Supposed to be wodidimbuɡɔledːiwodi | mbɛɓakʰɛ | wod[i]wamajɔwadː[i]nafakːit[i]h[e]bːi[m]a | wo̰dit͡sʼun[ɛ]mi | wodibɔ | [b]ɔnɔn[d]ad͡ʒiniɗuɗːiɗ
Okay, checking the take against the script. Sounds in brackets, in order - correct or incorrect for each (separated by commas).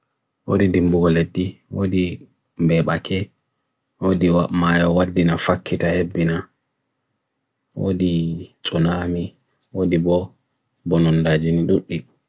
correct, correct, incorrect, correct, incorrect, incorrect, correct, correct